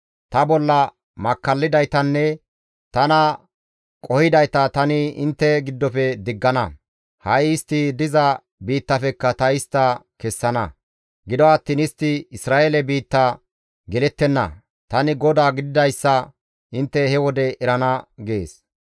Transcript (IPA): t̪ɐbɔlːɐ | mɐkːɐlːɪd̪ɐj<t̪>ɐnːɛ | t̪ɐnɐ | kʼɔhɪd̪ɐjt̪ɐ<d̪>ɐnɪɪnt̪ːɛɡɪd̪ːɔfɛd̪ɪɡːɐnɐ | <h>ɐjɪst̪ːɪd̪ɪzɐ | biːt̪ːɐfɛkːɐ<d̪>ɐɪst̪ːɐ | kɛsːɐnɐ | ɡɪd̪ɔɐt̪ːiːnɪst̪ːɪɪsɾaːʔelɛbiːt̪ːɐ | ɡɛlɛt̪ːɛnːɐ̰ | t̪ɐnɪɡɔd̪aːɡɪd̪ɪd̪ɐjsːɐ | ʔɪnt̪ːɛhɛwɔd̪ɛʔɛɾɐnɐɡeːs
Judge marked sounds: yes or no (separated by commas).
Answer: yes, no, yes, no